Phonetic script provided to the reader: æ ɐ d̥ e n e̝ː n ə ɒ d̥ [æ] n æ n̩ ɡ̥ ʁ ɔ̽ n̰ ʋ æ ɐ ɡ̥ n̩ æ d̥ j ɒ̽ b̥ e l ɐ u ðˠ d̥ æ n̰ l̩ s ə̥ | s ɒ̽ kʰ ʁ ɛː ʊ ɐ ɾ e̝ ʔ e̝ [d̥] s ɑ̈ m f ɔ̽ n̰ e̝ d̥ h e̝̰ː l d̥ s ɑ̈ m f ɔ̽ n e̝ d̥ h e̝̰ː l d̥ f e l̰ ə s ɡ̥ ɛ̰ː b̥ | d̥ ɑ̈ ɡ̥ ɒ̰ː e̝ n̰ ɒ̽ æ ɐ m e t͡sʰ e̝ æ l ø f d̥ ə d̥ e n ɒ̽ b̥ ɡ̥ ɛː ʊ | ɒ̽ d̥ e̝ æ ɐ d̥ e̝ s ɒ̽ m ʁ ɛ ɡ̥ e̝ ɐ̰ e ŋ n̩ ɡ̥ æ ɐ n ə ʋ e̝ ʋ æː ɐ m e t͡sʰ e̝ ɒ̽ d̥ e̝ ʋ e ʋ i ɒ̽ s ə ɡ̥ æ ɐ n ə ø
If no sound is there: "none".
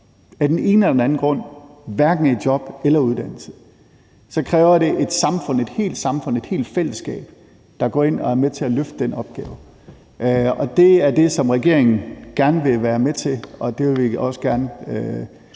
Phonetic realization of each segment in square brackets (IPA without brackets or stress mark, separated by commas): e, d̥